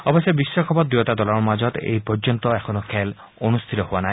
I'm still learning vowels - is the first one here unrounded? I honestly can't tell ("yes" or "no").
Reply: no